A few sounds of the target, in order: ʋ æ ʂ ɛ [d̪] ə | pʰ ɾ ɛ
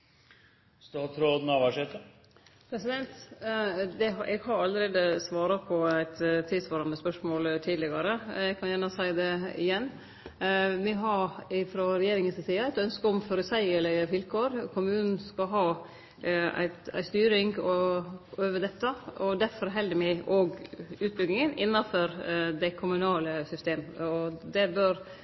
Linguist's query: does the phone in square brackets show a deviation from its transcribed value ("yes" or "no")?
yes